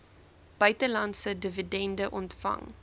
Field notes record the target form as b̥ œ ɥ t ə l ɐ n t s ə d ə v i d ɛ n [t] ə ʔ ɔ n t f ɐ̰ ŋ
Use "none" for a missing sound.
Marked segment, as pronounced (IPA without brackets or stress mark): d